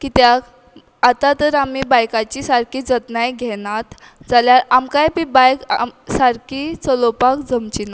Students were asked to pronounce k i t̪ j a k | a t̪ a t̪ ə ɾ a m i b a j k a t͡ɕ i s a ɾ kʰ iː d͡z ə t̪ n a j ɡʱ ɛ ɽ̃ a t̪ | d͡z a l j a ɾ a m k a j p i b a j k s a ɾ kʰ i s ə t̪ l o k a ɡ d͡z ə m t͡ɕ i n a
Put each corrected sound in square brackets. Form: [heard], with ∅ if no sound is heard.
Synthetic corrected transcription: k i t̪ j a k | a t̪ a t̪ ə ɾ a m i b a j k a t͡ɕ i s a ɾ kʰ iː d͡z ə t̪ n a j ɡʱ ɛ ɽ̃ a t̪ | d͡z a l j a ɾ a m k a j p i b a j k s a ɾ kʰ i [t͡s] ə [∅] l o [p] a [k] d͡z ə m t͡ɕ i n a

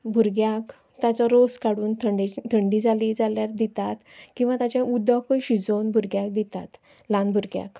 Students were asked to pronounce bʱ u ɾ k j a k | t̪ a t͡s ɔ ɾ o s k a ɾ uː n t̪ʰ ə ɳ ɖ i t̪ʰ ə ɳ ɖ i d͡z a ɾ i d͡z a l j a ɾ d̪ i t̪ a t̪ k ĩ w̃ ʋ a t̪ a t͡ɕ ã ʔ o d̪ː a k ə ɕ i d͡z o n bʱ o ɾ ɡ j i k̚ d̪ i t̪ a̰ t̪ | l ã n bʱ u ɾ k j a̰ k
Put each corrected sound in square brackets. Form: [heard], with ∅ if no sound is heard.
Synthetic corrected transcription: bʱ u ɾ [ɡ] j a k | t̪ a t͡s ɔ ɾ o s k a [ɽ] uː n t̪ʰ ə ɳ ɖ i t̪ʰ ə ɳ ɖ i d͡z a [l] i d͡z a l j a ɾ d̪ i t̪ a t̪ k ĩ w̃ ʋ a t̪ a t͡ɕ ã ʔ [u] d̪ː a k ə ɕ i d͡z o n bʱ [u] ɾ ɡ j [a] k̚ d̪ i t̪ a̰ t̪ | l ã n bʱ u ɾ [ɡ] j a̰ k

